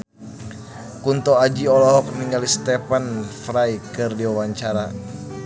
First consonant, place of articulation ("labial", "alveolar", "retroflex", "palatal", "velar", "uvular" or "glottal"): velar